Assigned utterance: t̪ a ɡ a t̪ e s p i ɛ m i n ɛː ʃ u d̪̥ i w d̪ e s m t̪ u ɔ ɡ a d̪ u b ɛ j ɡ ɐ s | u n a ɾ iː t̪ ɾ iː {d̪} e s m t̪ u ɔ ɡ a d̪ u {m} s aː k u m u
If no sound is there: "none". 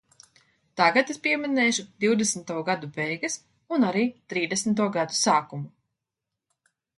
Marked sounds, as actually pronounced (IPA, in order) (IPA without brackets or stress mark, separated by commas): d̪, none